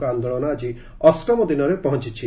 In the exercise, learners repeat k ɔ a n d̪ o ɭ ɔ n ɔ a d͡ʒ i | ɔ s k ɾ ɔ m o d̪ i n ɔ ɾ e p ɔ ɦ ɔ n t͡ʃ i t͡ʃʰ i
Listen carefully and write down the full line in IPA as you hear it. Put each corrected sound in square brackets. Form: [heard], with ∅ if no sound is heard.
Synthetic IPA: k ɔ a n d̪ o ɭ ɔ n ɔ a d͡ʒ i | ɔ s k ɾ ɔ m [ɔ] d̪ i n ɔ ɾ e p ɔ ɦ ɔ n t͡ʃ i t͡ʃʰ i